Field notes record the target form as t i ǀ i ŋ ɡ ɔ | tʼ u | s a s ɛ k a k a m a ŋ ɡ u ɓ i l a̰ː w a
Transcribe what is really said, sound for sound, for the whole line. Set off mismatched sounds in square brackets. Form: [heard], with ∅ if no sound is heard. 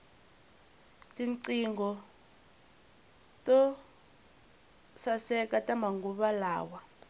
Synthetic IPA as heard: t i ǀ i ŋ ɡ ɔ | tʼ [ɔ] | s a s ɛ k a [t] a m a ŋ ɡ u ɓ [a] l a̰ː w a